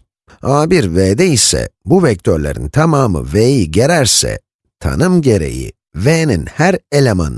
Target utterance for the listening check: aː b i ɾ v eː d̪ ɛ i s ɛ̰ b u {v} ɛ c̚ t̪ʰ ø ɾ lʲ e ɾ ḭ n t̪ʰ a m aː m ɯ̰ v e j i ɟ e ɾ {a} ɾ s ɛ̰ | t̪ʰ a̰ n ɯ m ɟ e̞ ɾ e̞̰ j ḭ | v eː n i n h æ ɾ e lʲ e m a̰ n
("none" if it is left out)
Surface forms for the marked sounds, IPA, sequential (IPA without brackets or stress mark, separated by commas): v, æ